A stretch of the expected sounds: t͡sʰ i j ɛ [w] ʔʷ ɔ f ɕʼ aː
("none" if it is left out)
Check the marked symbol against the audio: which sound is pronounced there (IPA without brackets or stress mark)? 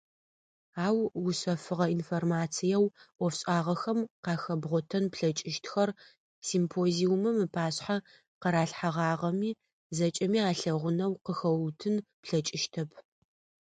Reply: w